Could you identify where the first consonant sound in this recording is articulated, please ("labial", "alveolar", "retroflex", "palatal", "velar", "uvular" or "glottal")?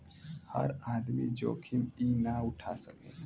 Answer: glottal